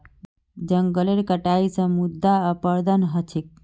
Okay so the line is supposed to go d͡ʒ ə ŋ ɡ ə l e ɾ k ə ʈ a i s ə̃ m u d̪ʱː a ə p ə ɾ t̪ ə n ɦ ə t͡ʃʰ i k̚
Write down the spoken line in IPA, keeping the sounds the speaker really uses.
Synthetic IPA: d͡ʒ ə ŋ ɡ ə l e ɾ k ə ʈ a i s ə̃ m u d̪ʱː a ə p ə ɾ d̪ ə n ɦ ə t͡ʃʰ i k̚